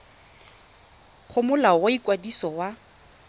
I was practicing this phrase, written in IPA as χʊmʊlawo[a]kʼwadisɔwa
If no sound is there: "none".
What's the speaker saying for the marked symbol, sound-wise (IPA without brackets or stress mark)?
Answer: i